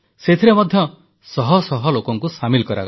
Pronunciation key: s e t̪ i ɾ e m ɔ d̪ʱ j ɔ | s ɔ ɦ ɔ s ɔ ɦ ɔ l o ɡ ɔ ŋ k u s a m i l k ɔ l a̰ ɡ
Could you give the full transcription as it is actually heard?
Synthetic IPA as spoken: s e t̪ʰ i ɾ e m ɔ d̪ʱ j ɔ | s ɔ ɦ ɔ s ɔ ɦ ɔ l o k ɔ ŋ k u s a m i l k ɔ ɾ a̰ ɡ